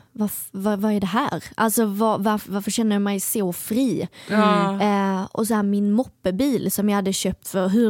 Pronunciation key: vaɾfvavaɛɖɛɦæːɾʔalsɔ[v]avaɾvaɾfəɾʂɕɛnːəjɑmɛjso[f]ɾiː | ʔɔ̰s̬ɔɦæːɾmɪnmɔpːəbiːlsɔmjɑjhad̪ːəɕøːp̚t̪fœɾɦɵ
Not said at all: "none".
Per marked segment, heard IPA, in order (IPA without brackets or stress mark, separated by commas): v, f